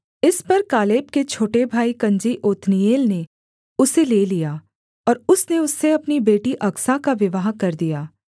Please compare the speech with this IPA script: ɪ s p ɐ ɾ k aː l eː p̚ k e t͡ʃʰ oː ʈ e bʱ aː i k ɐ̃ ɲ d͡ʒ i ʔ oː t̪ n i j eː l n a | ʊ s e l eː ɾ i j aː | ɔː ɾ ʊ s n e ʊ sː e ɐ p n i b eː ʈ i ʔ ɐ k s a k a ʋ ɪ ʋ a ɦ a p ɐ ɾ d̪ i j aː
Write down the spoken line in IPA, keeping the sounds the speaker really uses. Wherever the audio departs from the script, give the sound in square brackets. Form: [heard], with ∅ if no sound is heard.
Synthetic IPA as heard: ɪ s p ɐ ɾ k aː l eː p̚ k e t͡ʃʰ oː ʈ e bʱ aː i k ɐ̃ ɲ d͡ʒ i ʔ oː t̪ n i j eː l n [e] | ʊ s e l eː [l] i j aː | ɔː ɾ ʊ s n e ʊ sː e ɐ p n i b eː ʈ i ʔ ɐ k s a k a ʋ ɪ ʋ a ɦ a [k] ɐ ɾ d̪ i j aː